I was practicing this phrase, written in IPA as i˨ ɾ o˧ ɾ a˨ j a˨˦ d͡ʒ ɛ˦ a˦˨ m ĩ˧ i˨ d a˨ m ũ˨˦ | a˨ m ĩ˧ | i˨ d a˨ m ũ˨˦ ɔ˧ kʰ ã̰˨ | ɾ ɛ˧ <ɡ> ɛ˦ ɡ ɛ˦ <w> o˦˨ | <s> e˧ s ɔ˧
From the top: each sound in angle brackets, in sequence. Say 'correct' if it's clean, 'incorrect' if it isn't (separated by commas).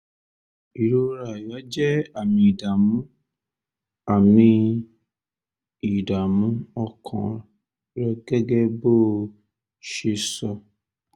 correct, incorrect, incorrect